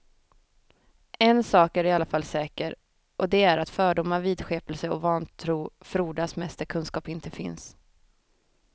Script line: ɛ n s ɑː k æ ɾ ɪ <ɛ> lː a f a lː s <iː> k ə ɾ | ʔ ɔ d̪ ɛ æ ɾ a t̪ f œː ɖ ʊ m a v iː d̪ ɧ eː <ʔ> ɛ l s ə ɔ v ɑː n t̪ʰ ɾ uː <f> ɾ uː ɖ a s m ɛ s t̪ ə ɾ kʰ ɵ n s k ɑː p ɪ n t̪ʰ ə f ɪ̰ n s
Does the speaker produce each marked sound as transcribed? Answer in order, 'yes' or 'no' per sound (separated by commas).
no, no, no, yes